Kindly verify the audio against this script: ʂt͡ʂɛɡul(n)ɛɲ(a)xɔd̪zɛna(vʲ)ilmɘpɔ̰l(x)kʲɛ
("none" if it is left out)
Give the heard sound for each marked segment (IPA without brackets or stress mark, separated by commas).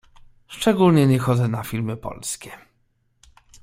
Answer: ɲ, ɛ, fʲ, s